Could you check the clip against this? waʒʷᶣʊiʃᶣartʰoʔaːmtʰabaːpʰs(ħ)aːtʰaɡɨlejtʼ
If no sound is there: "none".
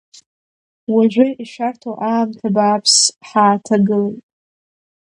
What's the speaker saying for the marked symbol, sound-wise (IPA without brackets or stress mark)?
ħ